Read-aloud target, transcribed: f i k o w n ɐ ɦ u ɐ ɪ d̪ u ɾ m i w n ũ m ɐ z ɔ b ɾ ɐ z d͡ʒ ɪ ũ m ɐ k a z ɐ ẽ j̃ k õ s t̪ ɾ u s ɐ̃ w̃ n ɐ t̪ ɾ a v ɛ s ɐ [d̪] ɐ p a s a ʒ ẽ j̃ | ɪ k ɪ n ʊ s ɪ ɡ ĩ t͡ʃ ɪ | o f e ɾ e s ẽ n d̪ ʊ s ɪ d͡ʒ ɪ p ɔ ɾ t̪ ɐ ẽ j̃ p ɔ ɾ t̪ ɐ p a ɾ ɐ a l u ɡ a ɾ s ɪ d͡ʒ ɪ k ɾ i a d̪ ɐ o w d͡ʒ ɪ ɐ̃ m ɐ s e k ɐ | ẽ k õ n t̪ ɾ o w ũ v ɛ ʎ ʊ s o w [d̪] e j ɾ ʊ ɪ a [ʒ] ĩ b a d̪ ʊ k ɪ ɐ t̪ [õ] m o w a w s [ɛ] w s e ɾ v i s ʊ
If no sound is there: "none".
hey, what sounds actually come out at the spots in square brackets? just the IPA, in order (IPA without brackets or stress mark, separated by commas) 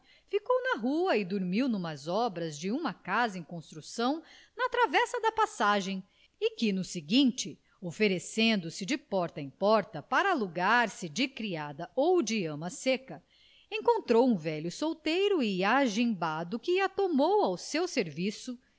d̪, t̪, ʒ, o, e